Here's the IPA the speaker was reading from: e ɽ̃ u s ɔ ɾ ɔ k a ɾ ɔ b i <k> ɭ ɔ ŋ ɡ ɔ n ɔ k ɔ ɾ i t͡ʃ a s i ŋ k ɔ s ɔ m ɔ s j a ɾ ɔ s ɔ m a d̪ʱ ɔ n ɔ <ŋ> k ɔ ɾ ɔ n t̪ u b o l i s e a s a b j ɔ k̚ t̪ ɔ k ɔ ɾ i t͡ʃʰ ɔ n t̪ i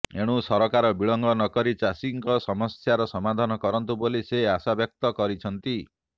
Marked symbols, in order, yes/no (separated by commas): no, no